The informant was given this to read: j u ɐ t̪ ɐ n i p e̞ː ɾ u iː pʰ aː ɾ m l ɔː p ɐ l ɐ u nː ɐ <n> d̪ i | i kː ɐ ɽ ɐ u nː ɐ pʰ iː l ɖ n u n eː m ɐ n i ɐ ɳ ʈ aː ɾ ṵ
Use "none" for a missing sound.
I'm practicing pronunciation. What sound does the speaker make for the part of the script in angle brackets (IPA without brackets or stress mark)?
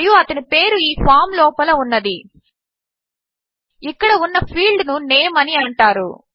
none